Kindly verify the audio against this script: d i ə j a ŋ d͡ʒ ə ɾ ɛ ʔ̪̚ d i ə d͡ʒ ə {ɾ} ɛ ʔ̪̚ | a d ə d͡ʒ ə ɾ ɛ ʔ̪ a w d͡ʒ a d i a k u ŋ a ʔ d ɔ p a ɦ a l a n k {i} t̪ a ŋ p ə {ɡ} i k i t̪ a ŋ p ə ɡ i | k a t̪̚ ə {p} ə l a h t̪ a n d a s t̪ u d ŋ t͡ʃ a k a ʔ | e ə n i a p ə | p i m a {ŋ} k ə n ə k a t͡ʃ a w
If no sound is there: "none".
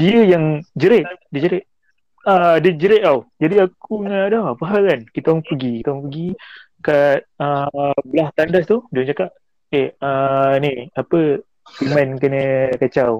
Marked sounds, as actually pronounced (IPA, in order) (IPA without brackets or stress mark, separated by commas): ɾ, i, ɡ, b, n